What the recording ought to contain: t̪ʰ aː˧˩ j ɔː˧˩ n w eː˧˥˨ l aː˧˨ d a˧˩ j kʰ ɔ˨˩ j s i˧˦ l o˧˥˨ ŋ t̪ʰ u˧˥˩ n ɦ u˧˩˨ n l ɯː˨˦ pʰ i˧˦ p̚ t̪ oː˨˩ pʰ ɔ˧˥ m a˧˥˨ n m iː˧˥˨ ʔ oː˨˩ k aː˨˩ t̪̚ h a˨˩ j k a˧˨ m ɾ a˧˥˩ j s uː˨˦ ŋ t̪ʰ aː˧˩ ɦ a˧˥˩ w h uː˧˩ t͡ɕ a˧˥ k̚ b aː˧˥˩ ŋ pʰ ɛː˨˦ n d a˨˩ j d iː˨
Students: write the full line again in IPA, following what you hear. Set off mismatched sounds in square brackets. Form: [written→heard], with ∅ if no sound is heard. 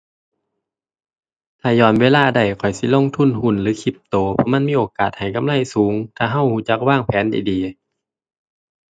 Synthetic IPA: t̪ʰ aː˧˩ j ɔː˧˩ n w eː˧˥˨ l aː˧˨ d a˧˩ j kʰ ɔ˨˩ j s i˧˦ l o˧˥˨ ŋ t̪ʰ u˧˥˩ n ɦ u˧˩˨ n l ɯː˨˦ [pʰ→kʰ] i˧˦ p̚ t̪ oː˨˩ pʰ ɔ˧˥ m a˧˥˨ n m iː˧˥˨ ʔ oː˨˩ k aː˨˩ t̪̚ h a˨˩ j k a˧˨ m [ɾ→l] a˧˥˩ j s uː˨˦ ŋ t̪ʰ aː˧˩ ɦ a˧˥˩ w h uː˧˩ t͡ɕ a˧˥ k̚ [b→w] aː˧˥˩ ŋ pʰ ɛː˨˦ n d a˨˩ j d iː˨

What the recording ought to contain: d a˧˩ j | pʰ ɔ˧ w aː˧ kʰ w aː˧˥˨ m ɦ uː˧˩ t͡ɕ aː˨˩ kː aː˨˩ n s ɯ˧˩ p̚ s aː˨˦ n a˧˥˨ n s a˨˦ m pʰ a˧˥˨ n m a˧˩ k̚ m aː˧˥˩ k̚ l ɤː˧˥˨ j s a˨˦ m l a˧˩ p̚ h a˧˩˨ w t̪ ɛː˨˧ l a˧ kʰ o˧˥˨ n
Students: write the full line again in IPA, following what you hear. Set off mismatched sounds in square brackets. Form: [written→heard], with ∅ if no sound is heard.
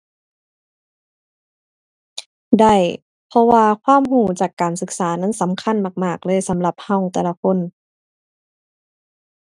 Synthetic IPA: d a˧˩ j | pʰ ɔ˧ w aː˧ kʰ w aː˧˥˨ m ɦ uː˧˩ t͡ɕ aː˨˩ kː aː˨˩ n s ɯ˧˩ [p̚→k̚] s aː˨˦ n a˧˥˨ n s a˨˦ m [pʰ→kʰ] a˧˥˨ n m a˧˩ k̚ m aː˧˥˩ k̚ l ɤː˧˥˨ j s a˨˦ m l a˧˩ p̚ h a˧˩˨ w t̪ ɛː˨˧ l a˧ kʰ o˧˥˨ n

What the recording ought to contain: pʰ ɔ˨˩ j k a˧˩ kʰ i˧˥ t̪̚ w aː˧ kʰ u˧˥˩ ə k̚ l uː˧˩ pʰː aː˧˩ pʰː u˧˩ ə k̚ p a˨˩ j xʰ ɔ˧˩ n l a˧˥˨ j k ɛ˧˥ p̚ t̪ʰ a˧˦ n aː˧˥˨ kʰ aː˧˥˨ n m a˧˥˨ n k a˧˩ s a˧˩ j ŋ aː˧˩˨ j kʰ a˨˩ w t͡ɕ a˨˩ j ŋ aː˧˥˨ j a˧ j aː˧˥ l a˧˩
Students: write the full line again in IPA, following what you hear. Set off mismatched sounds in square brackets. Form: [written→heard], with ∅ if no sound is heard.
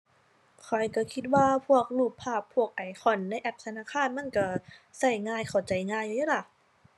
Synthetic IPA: [pʰ→kʰ] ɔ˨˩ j k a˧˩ kʰ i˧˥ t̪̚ w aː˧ [kʰ→pʰ] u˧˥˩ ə k̚ l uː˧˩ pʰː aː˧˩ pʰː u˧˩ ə k̚ [p→ʔ] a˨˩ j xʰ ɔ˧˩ n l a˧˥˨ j [k→ʔ] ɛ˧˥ p̚ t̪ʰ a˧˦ n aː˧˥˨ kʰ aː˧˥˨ n m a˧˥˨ n k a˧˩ s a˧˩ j ŋ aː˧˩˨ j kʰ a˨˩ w t͡ɕ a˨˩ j ŋ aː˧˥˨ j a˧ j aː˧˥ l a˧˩

